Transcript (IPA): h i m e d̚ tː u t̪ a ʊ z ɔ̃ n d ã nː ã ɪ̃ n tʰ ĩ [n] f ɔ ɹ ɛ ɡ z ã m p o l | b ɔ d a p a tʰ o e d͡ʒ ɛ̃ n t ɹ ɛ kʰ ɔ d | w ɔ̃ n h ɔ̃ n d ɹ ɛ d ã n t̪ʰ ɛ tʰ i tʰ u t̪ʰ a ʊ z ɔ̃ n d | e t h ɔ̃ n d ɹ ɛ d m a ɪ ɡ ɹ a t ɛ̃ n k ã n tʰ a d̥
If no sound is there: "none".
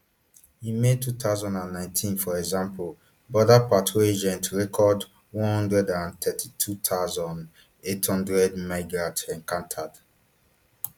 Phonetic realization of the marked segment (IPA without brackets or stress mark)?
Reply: n